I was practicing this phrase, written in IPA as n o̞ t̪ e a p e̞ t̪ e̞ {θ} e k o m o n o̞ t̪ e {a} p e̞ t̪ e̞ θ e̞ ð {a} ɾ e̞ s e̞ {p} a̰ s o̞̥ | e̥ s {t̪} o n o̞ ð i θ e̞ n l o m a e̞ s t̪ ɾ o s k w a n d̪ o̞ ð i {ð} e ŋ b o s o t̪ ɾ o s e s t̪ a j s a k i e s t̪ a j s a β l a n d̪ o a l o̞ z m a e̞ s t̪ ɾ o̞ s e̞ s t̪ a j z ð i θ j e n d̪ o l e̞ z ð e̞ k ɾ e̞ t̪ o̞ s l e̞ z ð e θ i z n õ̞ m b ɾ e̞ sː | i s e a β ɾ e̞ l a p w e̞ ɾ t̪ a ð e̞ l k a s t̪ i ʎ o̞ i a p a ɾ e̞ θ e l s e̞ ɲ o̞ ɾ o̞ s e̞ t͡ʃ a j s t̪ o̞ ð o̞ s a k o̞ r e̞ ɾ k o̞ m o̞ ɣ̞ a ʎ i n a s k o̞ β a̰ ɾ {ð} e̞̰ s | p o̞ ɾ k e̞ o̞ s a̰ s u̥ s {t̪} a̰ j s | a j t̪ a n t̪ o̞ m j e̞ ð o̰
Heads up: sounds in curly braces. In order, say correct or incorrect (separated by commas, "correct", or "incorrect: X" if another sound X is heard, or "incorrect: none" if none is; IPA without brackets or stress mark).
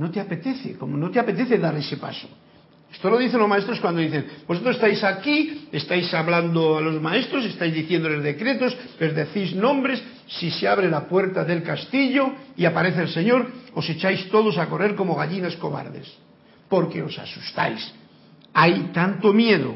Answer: correct, correct, correct, correct, correct, incorrect: θ, correct, correct